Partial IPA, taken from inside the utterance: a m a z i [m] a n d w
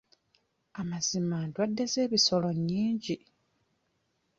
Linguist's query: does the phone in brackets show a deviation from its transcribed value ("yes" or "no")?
no